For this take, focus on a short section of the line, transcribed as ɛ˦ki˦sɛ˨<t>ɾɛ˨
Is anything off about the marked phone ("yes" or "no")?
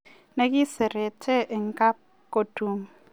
yes